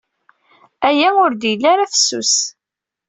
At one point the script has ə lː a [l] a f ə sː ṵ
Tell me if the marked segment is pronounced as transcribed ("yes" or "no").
no